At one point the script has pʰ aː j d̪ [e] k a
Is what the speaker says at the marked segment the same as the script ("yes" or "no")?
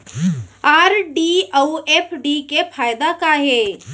no